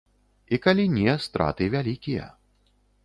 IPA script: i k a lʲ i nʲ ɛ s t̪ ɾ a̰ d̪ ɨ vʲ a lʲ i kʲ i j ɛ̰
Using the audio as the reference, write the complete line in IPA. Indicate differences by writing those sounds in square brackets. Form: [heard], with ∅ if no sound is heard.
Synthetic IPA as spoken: i k a lʲ i nʲ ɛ s t̪ ɾ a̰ [t̪] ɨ vʲ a lʲ i kʲ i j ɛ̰

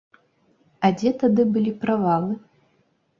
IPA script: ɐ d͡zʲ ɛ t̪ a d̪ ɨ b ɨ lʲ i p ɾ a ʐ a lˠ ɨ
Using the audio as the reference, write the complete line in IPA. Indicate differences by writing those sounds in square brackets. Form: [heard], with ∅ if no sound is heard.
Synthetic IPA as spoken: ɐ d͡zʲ ɛ t̪ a d̪ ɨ b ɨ lʲ i p ɾ a [v] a lˠ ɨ

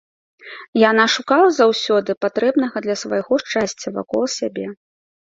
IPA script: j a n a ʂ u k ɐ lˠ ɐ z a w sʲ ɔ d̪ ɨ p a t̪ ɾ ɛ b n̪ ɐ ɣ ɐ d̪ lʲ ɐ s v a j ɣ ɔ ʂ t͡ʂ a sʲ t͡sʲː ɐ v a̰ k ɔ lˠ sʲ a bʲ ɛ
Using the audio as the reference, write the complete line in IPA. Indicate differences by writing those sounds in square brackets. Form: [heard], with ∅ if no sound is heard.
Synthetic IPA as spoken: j a n a ʂ u k [a] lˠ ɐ z a w sʲ ɔ d̪ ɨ p a t̪ ɾ ɛ b n̪ ɐ ɣ ɐ d̪ lʲ ɐ s v a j ɣ ɔ ʂ t͡ʂ a sʲ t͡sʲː ɐ v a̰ k ɔ lˠ sʲ a bʲ ɛ

